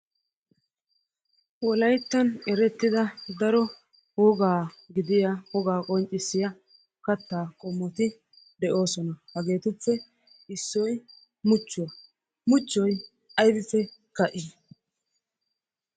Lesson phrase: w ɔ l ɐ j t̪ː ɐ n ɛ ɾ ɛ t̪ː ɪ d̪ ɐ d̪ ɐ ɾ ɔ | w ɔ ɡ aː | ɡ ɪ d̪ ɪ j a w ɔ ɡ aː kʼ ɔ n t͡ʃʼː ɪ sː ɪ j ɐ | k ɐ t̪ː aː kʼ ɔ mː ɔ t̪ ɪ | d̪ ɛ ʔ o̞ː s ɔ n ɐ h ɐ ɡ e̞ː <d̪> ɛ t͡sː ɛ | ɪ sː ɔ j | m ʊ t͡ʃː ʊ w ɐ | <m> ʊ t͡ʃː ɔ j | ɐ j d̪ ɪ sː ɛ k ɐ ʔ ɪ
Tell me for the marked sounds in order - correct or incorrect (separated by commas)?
incorrect, correct